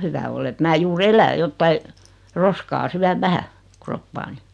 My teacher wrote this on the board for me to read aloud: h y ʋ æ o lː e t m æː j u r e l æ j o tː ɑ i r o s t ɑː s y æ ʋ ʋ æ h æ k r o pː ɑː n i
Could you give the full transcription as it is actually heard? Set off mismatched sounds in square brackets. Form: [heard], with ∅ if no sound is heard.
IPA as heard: h y ʋ æ o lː e t m æː j [uː] r e l æ j o tː ɑ i r o s [k] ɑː s y æ ʋ ʋ æ h æ k r o pː ɑː n i